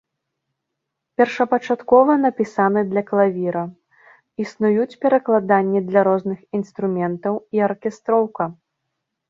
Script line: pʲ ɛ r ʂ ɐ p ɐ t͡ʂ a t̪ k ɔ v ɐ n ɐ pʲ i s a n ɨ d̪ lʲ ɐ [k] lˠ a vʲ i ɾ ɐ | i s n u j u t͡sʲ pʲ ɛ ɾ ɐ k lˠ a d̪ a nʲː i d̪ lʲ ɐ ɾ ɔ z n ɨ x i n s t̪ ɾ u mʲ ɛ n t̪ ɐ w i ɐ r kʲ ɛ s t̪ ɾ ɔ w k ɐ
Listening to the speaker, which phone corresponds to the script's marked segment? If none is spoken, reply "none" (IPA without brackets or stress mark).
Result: k